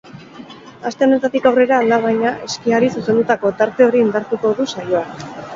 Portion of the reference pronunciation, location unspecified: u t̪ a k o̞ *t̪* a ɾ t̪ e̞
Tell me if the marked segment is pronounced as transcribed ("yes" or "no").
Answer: yes